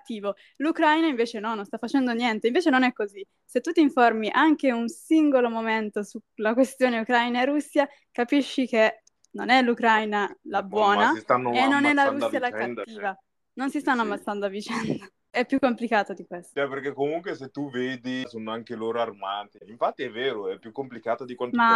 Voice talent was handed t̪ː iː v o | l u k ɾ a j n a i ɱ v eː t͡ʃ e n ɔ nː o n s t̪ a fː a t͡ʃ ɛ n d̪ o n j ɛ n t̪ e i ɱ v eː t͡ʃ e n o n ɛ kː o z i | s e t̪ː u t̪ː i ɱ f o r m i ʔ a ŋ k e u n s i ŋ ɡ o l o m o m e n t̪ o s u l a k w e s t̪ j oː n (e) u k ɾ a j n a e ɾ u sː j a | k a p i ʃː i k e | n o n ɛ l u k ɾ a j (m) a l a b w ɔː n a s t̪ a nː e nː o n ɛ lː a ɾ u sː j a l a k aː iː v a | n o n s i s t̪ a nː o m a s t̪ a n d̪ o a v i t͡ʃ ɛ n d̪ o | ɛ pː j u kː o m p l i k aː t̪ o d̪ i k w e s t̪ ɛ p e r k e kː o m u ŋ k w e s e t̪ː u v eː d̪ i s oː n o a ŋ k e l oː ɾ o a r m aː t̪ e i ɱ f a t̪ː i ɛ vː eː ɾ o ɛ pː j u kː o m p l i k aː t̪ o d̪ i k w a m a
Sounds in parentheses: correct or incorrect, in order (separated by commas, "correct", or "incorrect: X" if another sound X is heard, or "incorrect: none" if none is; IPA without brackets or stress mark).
correct, incorrect: n